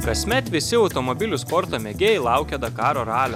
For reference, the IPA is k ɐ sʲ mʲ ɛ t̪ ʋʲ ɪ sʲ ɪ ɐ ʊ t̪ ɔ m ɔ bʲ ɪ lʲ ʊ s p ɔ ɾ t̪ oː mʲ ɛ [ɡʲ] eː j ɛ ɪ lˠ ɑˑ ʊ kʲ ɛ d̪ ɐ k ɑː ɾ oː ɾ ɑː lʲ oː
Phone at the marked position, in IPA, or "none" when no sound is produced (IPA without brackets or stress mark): ɡʲ